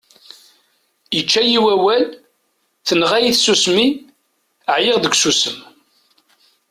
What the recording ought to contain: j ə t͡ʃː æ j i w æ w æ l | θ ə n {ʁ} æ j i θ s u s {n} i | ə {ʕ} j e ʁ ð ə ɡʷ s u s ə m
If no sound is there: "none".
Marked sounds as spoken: ʁ, m, ʕ

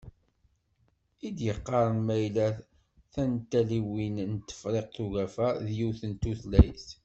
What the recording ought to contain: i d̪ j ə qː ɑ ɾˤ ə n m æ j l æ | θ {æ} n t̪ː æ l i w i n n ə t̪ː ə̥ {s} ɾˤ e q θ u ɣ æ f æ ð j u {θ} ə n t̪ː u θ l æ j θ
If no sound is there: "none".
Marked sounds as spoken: æ, f, θ

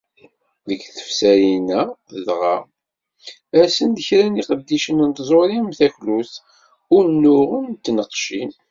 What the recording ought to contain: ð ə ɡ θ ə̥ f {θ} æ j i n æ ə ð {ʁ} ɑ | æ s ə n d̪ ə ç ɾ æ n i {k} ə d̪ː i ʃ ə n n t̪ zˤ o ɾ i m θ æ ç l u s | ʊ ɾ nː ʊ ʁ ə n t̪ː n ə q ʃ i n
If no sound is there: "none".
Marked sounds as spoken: s, ʁ, q

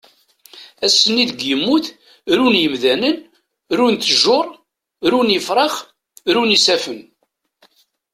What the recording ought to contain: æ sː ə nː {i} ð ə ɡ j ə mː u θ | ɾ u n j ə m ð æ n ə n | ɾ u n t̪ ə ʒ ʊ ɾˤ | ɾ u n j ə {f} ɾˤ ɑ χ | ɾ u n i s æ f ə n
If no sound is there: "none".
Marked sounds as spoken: i, f

